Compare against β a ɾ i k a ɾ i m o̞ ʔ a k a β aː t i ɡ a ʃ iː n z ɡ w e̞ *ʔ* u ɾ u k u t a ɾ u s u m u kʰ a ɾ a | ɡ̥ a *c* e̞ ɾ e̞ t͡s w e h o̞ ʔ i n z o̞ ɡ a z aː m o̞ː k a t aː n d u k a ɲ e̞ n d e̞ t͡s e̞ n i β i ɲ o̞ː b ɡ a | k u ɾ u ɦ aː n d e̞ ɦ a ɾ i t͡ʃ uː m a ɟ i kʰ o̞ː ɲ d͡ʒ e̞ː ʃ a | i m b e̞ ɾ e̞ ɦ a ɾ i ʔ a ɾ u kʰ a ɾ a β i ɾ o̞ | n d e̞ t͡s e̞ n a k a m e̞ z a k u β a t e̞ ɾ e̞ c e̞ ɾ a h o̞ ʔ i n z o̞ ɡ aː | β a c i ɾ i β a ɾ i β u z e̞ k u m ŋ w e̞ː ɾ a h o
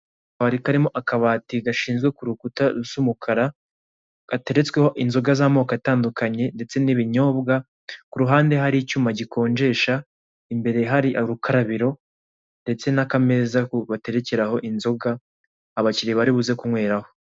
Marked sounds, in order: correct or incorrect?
incorrect, incorrect

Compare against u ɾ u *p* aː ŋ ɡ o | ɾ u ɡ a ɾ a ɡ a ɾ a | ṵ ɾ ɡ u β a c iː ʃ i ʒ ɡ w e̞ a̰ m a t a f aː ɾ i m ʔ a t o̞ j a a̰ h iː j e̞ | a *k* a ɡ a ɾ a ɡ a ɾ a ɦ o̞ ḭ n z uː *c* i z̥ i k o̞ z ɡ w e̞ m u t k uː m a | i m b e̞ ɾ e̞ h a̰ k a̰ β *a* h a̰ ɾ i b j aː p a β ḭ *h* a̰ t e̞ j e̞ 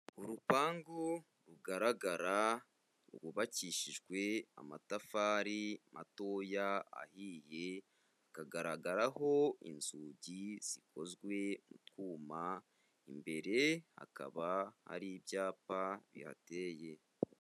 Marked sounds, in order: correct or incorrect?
correct, correct, incorrect, correct, correct

